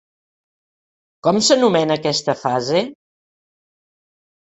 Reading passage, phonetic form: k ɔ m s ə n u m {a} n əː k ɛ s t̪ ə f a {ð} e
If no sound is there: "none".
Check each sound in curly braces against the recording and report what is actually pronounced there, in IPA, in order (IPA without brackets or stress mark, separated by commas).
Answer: ɛ, z